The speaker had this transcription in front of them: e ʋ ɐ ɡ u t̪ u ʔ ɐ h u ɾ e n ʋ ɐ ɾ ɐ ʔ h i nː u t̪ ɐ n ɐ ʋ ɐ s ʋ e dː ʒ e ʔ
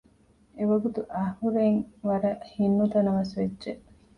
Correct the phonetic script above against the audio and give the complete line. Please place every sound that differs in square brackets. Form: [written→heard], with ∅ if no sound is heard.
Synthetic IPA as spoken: e ʋ ɐ ɡ u t̪ u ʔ ɐ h u ɾ e [n→ŋ] ʋ ɐ ɾ ɐ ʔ h i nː u t̪ ɐ n ɐ ʋ ɐ s ʋ e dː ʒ e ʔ